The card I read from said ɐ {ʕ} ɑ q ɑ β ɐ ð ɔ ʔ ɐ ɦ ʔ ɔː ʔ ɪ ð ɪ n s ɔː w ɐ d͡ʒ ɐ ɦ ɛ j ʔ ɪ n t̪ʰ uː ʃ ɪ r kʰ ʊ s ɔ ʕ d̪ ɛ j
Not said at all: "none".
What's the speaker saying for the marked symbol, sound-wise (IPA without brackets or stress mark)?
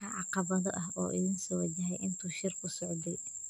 ʕ